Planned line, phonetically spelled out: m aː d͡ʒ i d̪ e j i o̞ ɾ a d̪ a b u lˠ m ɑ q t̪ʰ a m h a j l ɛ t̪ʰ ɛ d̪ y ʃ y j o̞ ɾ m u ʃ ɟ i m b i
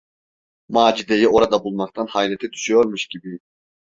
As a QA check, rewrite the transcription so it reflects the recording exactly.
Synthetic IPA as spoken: m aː d͡ʒ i d̪ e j i o̞ ɾ a d̪ a b u lˠ m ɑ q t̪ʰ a n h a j l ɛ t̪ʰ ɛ d̪ y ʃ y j o̞ ɾ m u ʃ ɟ i b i